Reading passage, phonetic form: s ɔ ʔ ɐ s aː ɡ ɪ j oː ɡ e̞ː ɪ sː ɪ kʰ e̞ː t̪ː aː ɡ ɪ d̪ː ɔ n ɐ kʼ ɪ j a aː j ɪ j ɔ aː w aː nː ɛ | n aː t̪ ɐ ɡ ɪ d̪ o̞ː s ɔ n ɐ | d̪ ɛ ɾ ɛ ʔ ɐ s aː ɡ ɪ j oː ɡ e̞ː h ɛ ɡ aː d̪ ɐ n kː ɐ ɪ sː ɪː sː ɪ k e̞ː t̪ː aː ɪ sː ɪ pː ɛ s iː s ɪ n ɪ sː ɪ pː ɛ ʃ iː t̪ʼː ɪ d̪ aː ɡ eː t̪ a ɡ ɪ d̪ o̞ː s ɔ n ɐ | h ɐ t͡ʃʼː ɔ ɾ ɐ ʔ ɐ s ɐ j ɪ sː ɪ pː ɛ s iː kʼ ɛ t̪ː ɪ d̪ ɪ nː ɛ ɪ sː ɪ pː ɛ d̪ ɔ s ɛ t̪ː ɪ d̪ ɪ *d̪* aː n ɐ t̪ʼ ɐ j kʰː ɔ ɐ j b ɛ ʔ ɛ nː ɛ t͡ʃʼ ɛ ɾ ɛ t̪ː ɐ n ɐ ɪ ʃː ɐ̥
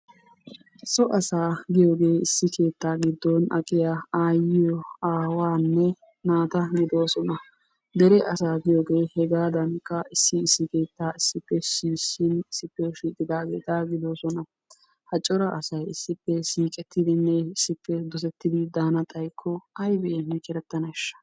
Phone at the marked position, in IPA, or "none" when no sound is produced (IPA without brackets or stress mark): d̪